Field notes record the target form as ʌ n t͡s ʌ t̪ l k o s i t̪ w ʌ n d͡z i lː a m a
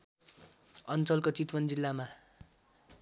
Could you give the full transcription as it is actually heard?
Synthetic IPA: ʌ n t͡s ʌ l k o t͡s i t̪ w ʌ n d͡z i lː a m a